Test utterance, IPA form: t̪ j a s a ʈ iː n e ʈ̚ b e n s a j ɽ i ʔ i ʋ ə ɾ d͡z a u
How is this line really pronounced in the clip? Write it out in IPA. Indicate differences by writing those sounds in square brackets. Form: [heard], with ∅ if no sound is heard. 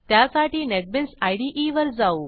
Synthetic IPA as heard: t̪ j a s a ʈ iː n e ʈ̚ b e n s a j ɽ i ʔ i ʋ ə ɾ d͡z a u